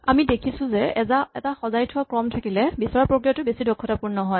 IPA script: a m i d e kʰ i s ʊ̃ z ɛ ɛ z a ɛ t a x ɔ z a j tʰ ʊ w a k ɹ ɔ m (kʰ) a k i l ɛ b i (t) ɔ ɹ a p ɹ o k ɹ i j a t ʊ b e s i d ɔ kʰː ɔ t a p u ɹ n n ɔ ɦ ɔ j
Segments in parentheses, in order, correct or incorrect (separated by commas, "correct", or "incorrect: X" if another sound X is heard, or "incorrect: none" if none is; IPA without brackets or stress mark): incorrect: tʰ, incorrect: s